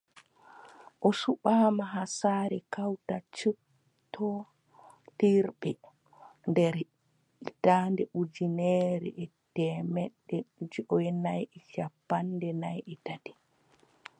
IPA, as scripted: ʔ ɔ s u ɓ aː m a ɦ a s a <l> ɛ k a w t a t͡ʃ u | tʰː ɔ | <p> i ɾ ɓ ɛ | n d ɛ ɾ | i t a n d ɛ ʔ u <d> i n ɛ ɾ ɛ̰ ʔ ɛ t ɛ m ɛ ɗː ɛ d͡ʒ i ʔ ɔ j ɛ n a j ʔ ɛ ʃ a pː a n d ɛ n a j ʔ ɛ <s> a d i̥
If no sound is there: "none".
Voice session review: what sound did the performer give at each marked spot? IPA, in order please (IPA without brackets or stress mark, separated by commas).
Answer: ɾ, t, d͡ʒ, t